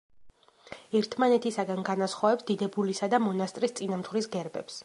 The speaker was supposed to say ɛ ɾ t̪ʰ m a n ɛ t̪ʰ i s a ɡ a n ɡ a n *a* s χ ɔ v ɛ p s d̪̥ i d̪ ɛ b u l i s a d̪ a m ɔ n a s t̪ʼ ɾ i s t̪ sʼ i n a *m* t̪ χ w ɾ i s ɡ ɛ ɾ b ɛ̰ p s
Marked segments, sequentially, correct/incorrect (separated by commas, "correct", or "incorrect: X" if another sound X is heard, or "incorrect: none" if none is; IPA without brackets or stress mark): correct, correct